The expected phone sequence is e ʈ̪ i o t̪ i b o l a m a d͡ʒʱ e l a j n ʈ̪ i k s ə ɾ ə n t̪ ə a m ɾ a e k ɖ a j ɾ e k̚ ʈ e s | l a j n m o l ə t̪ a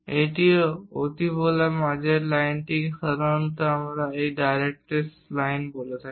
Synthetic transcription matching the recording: e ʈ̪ i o t̪ i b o l a m a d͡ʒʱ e l a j n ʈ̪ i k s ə ɾ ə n t̪ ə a m ɾ a e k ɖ a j ɾ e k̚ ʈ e s | l a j n b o l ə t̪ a